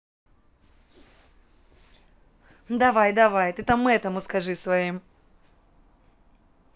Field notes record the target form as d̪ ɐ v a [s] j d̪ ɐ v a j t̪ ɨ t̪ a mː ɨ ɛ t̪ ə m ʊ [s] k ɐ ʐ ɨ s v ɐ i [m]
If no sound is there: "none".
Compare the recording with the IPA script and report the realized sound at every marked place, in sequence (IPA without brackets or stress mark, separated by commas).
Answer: none, s, m